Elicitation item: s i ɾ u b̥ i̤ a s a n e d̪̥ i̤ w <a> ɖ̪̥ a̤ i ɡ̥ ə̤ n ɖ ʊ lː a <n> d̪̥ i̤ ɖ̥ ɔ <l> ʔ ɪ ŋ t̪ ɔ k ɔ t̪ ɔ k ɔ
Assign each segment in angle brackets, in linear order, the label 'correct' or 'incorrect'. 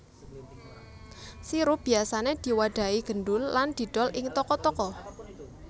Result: correct, correct, correct

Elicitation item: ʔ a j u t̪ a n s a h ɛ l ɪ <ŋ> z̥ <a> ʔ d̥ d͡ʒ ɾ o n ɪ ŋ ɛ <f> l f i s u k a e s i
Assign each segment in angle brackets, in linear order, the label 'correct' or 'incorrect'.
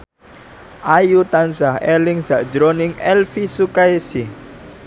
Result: correct, correct, incorrect: none

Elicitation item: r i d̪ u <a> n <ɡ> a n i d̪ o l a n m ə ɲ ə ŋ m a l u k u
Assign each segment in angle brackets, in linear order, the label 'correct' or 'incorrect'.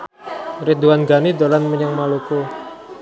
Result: correct, correct

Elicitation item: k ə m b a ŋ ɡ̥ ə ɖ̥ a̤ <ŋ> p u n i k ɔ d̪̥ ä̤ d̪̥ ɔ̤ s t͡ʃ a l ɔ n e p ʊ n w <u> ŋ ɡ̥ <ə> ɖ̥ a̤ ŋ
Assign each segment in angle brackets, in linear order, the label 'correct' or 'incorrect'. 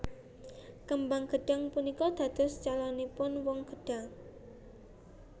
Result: correct, incorrect: ɔ, correct

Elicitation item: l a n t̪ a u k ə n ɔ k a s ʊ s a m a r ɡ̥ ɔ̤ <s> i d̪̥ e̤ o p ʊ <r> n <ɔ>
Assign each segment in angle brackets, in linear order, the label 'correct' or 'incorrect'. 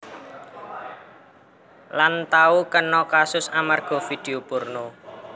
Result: incorrect: f, correct, incorrect: o

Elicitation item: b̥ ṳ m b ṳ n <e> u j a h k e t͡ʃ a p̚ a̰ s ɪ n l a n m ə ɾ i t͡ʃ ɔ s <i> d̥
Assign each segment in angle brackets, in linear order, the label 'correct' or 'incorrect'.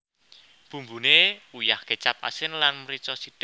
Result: correct, correct

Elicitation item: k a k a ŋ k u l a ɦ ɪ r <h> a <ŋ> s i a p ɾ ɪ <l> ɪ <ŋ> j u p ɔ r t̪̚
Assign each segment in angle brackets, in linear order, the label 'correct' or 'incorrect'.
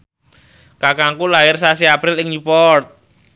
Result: incorrect: s, incorrect: none, correct, correct

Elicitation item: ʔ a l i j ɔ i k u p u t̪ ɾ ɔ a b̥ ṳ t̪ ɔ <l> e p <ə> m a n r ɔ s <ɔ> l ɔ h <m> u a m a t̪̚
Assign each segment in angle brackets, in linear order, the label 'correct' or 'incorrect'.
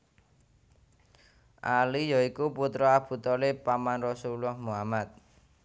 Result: correct, incorrect: a, incorrect: u, correct

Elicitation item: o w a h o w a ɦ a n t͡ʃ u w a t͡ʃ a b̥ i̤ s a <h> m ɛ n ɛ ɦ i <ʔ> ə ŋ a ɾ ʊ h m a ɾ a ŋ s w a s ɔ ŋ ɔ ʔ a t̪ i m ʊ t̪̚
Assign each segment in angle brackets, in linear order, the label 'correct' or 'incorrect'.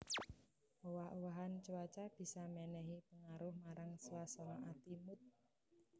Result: incorrect: none, incorrect: p

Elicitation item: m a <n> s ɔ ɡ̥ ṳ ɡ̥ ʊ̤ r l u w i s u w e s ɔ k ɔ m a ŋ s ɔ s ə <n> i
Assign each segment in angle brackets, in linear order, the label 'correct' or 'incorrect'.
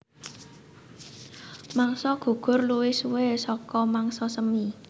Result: incorrect: ŋ, incorrect: m

